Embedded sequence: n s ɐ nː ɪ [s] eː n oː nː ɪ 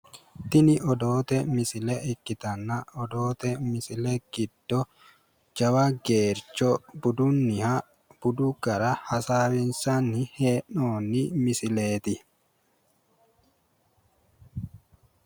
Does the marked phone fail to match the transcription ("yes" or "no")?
yes